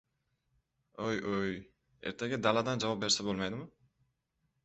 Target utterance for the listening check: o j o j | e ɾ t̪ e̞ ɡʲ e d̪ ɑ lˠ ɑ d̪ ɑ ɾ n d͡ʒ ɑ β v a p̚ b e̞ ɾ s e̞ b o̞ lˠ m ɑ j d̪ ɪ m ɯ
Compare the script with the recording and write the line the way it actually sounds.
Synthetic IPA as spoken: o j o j | e ɾ t̪ e̞ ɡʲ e d̪ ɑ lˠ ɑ d̪ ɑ n d͡ʒ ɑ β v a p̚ b e̞ ɾ s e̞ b o̞ lˠ m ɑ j d̪ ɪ m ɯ